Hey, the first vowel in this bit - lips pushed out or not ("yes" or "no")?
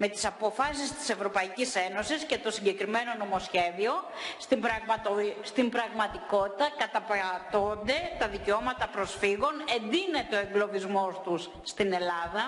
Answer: no